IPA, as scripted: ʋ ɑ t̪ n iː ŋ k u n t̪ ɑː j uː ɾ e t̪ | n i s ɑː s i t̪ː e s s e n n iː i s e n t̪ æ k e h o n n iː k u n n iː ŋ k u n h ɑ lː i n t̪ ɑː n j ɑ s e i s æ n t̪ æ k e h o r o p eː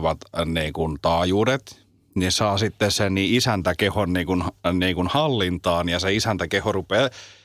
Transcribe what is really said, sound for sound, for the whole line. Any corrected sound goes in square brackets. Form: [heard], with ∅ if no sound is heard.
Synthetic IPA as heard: ʋ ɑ t̪ n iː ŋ k u n t̪ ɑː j uː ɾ e t̪ | n i s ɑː s i t̪ː e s s e n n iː i s [æ] n t̪ æ k e h o n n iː k u n n iː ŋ k u n h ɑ lː i n t̪ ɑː n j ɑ s e i s æ n t̪ æ k e h o r [u] p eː